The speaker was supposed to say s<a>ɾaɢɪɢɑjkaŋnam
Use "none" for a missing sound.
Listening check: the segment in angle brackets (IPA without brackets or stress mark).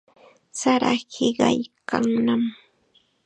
a